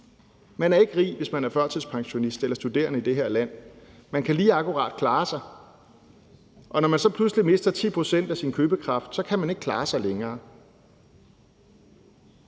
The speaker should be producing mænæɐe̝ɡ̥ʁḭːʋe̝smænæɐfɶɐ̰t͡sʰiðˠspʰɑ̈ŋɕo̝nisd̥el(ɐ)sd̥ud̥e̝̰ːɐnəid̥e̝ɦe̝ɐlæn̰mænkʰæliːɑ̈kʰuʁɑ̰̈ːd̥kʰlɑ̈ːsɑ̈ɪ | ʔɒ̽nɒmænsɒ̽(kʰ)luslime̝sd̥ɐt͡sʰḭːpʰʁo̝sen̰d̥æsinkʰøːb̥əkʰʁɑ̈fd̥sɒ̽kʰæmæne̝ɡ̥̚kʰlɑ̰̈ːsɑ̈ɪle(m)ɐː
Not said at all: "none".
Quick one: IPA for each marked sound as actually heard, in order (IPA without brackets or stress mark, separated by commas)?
ɐ, pʰ, ŋ